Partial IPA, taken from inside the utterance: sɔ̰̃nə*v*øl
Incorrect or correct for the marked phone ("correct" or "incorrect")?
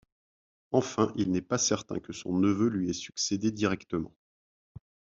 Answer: correct